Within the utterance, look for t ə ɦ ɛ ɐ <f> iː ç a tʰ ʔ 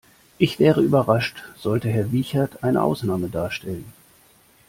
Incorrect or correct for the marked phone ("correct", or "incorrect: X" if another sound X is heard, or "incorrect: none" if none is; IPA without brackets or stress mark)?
incorrect: v